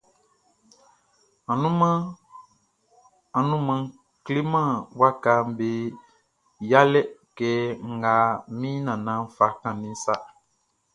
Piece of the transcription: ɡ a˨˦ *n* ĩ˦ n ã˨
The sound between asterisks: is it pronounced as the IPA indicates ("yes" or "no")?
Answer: no